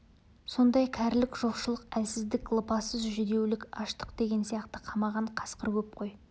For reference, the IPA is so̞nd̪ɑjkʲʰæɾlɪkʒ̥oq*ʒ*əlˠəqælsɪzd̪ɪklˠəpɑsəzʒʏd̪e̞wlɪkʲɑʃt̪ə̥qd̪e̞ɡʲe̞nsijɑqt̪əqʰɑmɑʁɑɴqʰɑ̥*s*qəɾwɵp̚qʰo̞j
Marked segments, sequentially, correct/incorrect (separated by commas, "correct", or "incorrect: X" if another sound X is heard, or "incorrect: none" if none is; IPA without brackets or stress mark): incorrect: ʃ, correct